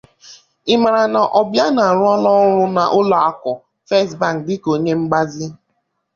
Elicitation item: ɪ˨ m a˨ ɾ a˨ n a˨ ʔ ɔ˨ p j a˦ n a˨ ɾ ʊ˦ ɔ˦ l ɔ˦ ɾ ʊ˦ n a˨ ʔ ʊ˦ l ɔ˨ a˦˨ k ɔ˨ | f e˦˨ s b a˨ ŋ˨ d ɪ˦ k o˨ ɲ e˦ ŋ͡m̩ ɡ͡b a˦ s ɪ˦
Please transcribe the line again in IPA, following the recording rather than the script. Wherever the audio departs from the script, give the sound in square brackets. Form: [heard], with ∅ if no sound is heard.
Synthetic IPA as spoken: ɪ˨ m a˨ ɾ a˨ n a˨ ʔ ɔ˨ [b] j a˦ n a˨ ɾ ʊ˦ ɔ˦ l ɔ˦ ɾ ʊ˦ n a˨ ʔ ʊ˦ l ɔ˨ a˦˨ k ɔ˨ | f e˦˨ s b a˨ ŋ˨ d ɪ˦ k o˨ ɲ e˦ ŋ͡m̩ ɡ͡b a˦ [z] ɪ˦